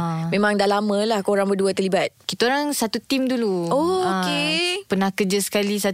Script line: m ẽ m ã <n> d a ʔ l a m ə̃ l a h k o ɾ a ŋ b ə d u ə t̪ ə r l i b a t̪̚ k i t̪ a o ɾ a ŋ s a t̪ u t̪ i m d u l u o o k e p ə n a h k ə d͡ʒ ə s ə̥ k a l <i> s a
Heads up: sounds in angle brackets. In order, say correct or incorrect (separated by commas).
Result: incorrect, correct